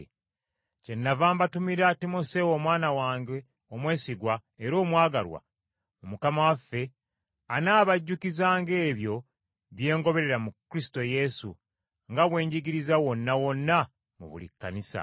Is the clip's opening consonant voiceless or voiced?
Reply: voiceless